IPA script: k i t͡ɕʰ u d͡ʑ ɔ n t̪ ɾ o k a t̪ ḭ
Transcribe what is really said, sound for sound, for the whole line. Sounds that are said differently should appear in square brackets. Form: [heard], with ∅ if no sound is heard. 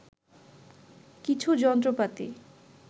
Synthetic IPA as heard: k i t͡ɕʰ u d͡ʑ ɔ n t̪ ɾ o [p] a t̪ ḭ